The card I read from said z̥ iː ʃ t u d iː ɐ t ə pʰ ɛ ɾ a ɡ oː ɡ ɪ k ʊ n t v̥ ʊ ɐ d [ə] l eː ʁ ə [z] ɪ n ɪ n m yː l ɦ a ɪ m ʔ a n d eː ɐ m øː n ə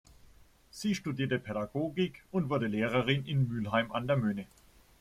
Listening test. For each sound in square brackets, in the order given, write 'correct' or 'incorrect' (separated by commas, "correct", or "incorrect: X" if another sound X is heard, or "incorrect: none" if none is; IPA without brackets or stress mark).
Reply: correct, incorrect: ʁ